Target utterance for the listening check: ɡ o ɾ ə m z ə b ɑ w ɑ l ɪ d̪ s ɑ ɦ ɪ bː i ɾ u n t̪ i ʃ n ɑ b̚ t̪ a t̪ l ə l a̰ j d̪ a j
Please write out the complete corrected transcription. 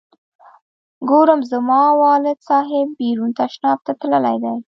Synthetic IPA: ɡ o ɾ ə m z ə m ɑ w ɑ l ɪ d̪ s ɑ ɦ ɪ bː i ɾ u n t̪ a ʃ n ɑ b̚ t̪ a t̪ l ə l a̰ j d̪ a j

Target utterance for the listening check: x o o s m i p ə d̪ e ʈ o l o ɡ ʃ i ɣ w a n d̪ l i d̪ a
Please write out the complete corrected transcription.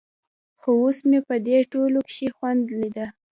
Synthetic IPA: x o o s m e p ə d̪ e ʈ o l o k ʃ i x w a n d̪ l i d̪ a

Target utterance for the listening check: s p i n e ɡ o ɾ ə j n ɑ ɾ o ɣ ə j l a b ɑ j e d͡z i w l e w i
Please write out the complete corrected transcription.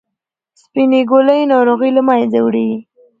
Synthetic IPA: s p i n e ɡ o l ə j n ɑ ɾ o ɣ ə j l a m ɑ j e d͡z a w ɽ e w i

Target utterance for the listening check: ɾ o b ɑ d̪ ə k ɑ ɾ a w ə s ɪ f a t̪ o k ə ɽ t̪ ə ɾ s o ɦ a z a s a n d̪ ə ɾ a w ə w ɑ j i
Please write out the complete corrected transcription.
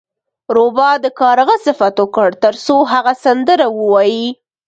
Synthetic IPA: ɾ o b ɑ d̪ ə k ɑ ɾ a ɣ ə s ɪ f a t̪ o k ə ɽ t̪ ə ɾ s o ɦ a ɣ a s a n d̪ ə ɾ a w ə w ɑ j i

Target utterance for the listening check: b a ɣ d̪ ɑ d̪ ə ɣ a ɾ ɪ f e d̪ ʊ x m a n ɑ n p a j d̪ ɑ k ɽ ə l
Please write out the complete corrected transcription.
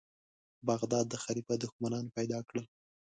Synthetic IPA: b a ɣ d̪ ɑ d̪ː ə x a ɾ i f a d̪ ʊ x m a n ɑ n p a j d̪ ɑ k ɽ ə l

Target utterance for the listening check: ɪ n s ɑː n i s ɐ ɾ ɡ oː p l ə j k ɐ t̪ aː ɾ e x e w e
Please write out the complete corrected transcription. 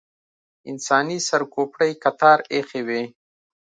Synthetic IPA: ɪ n s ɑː n i s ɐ ɾ k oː p ɽ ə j k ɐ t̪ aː ɾ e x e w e

